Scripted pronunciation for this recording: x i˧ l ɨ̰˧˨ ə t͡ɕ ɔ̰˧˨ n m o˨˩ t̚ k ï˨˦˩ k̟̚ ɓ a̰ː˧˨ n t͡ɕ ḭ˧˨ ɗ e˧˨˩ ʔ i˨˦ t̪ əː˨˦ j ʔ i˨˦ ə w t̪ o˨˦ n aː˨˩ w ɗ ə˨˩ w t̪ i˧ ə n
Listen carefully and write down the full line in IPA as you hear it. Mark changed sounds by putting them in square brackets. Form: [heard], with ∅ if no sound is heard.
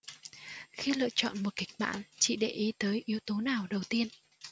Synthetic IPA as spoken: x i˧ l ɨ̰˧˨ ə t͡ɕ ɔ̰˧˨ n m o˨˩ t̚ k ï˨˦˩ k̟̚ ɓ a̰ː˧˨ n t͡ɕ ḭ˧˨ ɗ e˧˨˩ ʔ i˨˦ t̪ əː˨˦ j ʔ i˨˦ ə w t̪ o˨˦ n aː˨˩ w ɗ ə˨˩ w t̪ i˧ ə n